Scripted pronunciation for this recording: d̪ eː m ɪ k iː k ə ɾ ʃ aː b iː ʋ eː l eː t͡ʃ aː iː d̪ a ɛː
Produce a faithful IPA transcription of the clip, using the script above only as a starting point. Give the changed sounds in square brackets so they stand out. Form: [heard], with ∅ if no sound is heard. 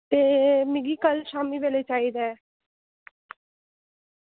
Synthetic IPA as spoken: [t̪] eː m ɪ [ɡ] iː k ə [l] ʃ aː [m] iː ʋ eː l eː t͡ʃ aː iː d̪ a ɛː